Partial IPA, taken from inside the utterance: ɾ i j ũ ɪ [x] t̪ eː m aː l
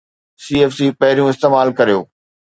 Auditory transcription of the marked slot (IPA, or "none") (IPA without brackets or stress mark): s